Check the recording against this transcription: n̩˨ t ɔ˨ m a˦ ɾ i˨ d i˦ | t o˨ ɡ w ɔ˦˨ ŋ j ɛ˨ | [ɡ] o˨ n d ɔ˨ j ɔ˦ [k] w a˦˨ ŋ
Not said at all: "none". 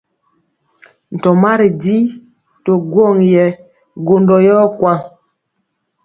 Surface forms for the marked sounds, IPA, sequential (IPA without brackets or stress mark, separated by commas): ɡ, k